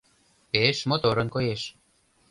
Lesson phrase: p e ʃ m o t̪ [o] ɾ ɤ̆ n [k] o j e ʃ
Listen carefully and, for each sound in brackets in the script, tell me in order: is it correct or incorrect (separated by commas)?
correct, correct